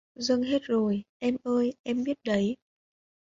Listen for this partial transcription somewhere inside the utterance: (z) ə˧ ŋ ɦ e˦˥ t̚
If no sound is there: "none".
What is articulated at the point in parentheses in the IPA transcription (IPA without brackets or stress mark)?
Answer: z